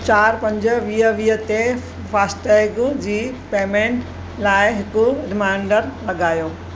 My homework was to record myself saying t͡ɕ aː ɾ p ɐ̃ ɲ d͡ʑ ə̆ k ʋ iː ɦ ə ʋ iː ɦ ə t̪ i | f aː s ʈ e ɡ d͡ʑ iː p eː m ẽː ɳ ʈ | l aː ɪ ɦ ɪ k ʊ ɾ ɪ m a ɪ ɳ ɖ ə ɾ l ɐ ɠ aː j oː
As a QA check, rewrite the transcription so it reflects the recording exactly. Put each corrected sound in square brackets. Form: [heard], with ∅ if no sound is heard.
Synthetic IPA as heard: t͡ɕ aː ɾ p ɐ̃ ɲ d͡ʑ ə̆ [∅] ʋ iː ɦ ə ʋ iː ɦ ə t̪ [e] | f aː s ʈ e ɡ d͡ʑ iː p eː m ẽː ɳ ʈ | l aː ɪ ɦ ɪ k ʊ ɾ ɪ m a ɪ ɳ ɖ ə ɾ l ɐ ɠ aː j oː